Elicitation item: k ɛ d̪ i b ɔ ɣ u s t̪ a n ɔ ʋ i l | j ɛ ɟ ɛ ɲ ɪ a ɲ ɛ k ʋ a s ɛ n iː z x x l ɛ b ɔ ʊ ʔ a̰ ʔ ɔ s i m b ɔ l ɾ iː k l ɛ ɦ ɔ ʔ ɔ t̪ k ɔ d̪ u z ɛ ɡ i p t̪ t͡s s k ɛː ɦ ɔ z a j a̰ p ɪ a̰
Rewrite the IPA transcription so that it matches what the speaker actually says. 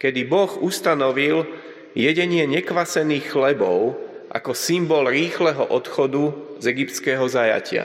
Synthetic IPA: k ɛ d̪ i b ɔ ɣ u s t̪ a n ɔ ʋ i l | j ɛ ɟ ɛ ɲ ɪ ɛ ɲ ɛ k ʋ a s ɛ n iː x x l ɛ b ɔ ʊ ʔ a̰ k ɔ s i m b ɔ l ɾ iː x l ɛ ɦ ɔ ʔ ɔ t̪ x ɔ d̪ u z ɛ ɡ i p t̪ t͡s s k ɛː ɦ ɔ z a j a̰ c ɪ a̰